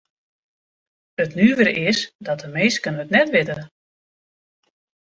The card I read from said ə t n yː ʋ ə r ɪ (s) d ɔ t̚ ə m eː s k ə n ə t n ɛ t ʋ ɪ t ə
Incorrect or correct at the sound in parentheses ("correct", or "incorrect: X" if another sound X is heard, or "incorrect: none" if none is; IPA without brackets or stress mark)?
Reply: correct